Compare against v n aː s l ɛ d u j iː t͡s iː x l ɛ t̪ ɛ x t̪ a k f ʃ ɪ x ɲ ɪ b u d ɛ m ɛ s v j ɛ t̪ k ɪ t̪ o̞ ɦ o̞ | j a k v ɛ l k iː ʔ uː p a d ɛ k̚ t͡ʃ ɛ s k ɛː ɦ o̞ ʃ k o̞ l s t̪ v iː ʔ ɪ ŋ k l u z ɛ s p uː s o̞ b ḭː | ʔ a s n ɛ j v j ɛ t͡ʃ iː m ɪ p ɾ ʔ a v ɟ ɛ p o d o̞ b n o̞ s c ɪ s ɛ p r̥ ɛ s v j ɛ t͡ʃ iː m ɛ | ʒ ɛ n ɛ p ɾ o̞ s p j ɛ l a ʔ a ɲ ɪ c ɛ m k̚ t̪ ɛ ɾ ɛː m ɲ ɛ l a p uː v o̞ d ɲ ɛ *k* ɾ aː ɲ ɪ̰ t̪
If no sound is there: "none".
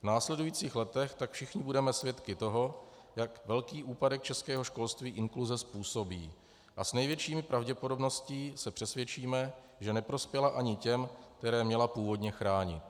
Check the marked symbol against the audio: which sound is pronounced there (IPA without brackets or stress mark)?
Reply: x